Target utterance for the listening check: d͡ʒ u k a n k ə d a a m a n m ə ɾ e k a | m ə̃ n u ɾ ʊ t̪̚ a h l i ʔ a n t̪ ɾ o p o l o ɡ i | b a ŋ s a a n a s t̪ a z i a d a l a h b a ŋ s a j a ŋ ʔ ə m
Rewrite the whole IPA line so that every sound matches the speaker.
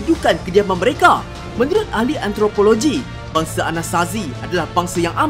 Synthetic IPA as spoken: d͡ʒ u k a n k ə d i a m a n m ə ɾ e k a | m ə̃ n u ɾ ʊ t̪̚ a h l i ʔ a n t̪ ɾ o p o l o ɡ i | b a ŋ s a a n a s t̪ a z i a d a l a h b a ŋ s a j a ŋ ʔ a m